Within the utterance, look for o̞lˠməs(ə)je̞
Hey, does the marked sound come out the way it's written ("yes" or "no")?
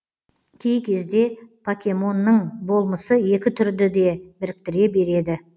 yes